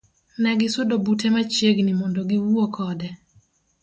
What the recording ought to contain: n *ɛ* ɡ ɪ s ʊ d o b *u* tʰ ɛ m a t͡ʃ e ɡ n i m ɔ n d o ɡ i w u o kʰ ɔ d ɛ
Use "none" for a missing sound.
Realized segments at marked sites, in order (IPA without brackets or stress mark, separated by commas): ɛ, u